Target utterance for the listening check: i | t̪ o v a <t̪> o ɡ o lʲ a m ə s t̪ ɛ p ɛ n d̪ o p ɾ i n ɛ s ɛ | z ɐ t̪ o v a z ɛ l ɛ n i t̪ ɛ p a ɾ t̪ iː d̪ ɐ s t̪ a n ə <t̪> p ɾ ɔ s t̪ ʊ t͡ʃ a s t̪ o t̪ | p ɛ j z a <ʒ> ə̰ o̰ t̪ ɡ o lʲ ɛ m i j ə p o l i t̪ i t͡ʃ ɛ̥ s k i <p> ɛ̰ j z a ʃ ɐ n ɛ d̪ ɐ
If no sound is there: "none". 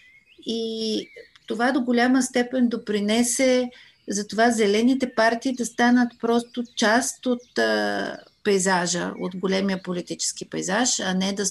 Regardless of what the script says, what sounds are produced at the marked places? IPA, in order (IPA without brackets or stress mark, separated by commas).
d̪, t̪, ʒ, p